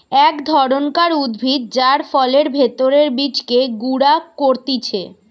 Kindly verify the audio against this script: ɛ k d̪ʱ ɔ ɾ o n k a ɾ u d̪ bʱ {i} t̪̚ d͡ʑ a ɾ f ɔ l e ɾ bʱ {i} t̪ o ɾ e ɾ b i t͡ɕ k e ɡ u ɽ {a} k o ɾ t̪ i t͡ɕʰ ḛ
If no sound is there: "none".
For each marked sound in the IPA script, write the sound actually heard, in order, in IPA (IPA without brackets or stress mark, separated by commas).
i, e, a